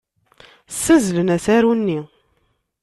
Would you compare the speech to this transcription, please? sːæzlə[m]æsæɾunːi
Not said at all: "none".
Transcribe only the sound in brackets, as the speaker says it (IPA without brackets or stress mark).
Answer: n